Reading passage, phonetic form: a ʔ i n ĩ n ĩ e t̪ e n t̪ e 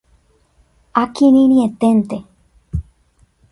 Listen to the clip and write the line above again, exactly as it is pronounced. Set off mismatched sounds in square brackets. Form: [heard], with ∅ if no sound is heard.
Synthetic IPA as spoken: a [k] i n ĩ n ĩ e t̪ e n t̪ e